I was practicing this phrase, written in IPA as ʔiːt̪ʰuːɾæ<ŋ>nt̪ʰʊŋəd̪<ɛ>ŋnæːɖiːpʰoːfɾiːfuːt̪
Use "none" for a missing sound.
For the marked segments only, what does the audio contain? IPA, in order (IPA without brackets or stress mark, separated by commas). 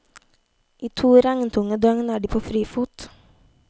ŋ, œ